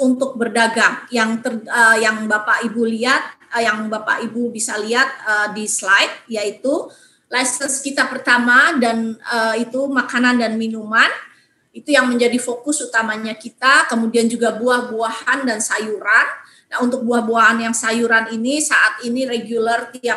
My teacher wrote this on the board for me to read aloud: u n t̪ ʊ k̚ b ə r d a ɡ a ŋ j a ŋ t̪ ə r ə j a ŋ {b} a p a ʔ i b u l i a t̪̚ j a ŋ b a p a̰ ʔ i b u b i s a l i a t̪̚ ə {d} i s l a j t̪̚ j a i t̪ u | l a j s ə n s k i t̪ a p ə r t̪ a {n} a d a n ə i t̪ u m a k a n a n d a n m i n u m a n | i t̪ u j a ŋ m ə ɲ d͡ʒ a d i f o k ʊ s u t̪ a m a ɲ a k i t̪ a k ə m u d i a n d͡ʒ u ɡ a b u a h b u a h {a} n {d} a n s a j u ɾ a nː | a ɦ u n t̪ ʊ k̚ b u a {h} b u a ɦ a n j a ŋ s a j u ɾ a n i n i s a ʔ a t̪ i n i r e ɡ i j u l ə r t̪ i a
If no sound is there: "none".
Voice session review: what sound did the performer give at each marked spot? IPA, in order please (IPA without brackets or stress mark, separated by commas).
b, d, m, a, d, h